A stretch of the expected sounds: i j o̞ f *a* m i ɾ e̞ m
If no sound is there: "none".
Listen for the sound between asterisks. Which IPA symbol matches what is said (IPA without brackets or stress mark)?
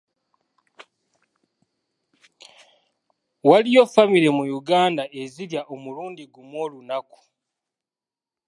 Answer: a